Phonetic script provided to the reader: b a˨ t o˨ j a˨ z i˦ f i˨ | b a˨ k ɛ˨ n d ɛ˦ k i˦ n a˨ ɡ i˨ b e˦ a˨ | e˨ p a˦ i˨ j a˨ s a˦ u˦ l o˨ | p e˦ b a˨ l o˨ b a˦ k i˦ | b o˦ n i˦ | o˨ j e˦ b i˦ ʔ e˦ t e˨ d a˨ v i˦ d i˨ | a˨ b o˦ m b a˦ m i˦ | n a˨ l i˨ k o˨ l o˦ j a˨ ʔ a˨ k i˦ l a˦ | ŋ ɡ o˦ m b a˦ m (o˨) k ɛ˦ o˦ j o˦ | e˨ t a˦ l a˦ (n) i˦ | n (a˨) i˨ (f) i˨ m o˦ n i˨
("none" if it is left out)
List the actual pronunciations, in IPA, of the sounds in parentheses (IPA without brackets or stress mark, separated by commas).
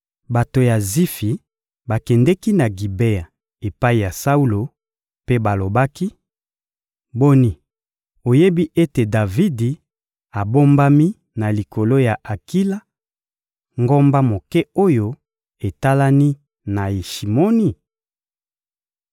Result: o˨, n, a˨, ʃ